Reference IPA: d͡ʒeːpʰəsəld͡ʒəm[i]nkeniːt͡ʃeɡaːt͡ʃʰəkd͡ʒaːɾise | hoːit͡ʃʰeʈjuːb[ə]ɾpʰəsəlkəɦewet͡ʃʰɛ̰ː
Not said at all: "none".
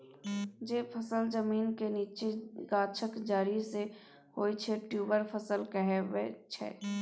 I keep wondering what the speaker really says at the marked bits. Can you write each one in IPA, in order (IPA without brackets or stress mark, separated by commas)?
iː, ə